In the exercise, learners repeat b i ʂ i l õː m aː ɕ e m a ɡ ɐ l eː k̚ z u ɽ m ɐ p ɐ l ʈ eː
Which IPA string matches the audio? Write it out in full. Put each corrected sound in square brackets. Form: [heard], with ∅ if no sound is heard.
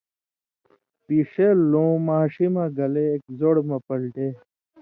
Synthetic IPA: [p] i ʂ [e] l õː m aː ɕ [i] m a ɡ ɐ l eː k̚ z [o] ɽ m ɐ p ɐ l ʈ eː